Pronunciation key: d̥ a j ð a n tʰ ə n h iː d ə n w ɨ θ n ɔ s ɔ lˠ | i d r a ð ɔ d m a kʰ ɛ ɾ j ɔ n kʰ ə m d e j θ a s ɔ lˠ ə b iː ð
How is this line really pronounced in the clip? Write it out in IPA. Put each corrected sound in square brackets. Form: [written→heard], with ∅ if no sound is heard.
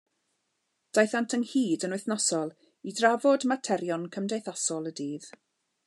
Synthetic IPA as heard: d̥ a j [ð→θ] a n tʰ ə n h iː d ə n w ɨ θ n ɔ s ɔ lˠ | i d r a [ð→v] ɔ d m a [kʰ→tʰ] ɛ ɾ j ɔ n kʰ ə m d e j θ a s ɔ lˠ ə [b→d] iː ð